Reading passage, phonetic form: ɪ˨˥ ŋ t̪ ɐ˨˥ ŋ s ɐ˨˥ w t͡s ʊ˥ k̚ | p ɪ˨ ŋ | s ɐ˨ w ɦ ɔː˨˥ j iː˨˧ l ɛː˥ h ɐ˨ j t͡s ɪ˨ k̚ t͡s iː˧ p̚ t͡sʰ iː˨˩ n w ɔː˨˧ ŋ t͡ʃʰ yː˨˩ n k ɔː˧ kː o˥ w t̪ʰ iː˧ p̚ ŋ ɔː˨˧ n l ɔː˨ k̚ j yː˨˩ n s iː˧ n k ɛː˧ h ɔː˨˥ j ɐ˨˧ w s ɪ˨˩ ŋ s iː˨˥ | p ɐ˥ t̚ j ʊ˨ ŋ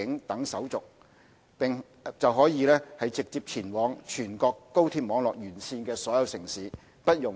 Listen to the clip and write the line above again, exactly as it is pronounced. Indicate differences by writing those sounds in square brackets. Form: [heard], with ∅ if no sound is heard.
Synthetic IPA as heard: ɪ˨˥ ŋ t̪ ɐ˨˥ ŋ s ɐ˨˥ w t͡s [ʊ˨] k̚ | p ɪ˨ ŋ | [t͡s] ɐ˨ w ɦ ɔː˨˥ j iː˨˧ l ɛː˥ h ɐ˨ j t͡s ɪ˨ k̚ t͡s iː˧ p̚ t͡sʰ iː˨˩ n w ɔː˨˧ ŋ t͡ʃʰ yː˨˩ n k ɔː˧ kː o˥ w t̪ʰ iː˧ p̚ [m] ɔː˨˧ [ŋ] l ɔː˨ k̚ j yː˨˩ n s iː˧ n k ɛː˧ [s] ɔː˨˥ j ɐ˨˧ w s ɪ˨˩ ŋ s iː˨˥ | p ɐ˥ t̚ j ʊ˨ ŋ

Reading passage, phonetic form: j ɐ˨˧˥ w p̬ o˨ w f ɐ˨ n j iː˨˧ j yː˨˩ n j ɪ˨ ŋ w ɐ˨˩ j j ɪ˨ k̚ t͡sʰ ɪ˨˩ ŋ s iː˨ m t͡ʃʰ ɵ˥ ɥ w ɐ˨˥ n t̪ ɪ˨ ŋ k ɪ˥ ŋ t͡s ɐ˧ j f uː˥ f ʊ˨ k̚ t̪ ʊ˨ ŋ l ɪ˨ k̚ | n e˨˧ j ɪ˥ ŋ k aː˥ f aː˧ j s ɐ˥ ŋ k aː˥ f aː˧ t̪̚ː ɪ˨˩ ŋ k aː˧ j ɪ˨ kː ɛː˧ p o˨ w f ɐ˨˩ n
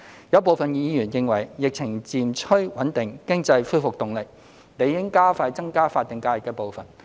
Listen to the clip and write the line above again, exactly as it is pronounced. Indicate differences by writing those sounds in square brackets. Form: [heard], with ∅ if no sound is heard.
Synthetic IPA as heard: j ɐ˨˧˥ w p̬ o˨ w f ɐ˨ n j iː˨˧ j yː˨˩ n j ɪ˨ ŋ w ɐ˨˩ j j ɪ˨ k̚ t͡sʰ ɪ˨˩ ŋ [t͡s] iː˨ m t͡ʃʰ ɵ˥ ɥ w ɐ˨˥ n t̪ ɪ˨ ŋ k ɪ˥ ŋ t͡s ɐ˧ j f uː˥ f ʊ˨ k̚ t̪ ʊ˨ ŋ l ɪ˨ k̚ | n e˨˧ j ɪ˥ ŋ k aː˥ f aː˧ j [t͡s] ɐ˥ ŋ k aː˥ f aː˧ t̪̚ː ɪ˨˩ ŋ k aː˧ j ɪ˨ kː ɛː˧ p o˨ w f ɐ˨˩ n

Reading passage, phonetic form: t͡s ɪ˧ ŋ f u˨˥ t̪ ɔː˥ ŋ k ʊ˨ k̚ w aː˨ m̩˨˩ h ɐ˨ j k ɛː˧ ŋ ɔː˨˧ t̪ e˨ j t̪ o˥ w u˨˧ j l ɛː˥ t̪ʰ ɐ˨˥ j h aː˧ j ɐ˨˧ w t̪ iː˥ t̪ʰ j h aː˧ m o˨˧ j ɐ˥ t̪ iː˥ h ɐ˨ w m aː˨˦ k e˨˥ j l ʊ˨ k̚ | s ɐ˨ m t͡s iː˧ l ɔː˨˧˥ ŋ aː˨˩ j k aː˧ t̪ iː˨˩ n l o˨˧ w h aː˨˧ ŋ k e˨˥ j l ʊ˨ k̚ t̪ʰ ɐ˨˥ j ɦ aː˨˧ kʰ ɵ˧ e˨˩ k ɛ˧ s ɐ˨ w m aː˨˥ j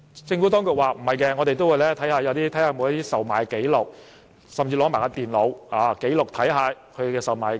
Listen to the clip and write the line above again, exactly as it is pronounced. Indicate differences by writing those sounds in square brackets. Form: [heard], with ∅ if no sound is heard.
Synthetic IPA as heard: t͡s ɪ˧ ŋ f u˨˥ t̪ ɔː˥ ŋ k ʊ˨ k̚ w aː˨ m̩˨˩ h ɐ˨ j k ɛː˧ ŋ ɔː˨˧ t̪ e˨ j t̪ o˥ w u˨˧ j l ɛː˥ t̪ʰ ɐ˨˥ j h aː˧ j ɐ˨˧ w t̪ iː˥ t̪ʰ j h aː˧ m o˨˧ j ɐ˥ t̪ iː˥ [s] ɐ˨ w m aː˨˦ k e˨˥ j l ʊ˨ k̚ | s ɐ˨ m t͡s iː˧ l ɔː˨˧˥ [m] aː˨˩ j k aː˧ t̪ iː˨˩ n l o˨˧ w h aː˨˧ [∅] k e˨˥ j l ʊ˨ k̚ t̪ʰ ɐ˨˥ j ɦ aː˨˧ kʰ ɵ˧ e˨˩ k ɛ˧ s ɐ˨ w m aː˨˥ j

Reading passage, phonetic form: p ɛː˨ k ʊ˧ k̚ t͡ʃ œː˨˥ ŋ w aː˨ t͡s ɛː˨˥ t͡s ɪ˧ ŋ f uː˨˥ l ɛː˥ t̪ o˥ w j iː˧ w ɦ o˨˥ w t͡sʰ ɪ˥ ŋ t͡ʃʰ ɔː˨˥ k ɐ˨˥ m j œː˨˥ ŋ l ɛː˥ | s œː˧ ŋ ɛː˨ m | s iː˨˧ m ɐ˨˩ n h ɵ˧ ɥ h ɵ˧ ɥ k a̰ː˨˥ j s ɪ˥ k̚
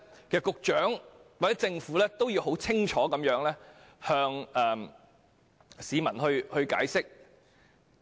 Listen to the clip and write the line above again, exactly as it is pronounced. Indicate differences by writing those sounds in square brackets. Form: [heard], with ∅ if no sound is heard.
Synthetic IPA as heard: [k] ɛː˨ k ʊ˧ k̚ t͡ʃ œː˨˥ ŋ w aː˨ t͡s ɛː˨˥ t͡s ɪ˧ ŋ f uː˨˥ l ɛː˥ t̪ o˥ w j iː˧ w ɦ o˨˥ w t͡sʰ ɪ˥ ŋ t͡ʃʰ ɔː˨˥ k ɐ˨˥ m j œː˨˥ ŋ l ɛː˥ | [h] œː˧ ŋ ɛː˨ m | s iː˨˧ m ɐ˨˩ n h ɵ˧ ɥ h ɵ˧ ɥ k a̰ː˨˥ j s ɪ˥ k̚

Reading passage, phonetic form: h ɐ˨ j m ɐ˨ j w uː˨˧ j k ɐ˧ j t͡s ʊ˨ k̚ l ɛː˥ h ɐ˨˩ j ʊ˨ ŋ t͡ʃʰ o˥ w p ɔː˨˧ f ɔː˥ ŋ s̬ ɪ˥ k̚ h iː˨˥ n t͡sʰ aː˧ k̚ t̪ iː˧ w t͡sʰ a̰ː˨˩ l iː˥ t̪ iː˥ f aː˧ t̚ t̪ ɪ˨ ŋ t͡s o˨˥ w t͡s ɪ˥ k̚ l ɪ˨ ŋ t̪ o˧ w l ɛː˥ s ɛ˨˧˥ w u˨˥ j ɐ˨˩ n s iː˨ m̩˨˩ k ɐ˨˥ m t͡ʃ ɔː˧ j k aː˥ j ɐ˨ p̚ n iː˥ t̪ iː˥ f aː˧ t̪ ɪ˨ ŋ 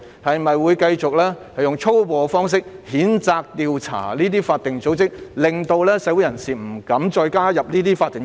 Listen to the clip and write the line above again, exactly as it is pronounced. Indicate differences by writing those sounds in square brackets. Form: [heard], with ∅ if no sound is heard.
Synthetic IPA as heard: h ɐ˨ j m ɐ˨ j w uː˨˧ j k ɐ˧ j t͡s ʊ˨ k̚ l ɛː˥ h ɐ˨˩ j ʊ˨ ŋ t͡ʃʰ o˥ w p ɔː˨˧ f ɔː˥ ŋ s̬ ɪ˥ k̚ h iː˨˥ n [t͡s] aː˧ k̚ t̪ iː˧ w t͡sʰ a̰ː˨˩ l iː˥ t̪ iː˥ f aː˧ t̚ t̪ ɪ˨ ŋ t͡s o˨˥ w t͡s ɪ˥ k̚ l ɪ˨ ŋ t̪ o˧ w l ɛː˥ s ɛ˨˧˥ w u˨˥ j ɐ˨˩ n s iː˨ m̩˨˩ k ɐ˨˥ m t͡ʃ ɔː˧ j k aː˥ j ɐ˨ p̚ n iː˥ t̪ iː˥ f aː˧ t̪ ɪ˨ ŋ

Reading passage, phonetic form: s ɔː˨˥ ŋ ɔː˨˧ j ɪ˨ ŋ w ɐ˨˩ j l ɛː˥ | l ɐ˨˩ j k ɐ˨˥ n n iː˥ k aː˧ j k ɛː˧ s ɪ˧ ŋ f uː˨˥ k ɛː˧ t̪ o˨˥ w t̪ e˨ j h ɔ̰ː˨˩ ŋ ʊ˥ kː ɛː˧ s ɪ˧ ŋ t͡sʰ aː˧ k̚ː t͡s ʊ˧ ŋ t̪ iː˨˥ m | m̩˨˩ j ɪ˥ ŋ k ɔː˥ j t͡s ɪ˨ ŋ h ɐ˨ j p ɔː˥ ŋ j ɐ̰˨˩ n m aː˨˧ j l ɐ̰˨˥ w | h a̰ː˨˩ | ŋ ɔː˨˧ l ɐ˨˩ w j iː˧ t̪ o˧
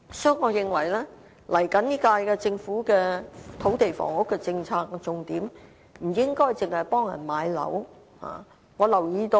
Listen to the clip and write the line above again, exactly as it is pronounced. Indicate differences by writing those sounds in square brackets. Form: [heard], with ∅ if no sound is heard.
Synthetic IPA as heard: s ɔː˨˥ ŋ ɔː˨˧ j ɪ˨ ŋ w ɐ˨˩ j l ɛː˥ | l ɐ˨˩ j k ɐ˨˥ n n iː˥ k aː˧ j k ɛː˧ [t͡s] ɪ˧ ŋ f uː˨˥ k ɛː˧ [t̪ʰ] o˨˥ w t̪ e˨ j [f] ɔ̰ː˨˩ ŋ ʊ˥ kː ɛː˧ [t͡s] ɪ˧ ŋ t͡sʰ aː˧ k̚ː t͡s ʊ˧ ŋ t̪ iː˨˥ m | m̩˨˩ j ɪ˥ ŋ k ɔː˥ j t͡s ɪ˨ ŋ h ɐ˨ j p ɔː˥ ŋ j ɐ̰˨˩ n m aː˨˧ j l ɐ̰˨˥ w | h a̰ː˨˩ | ŋ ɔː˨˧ l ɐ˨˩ w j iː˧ t̪ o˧

